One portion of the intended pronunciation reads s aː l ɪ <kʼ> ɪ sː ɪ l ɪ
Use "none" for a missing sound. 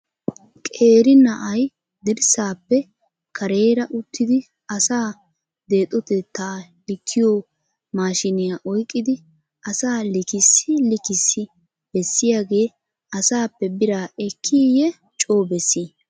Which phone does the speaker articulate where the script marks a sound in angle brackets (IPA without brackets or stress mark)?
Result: k